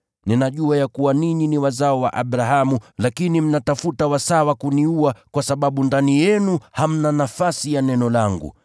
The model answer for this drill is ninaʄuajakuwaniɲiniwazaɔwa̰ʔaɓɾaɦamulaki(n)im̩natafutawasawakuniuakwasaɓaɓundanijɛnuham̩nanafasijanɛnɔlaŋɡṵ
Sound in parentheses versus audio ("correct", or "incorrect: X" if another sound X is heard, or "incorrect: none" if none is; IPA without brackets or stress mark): correct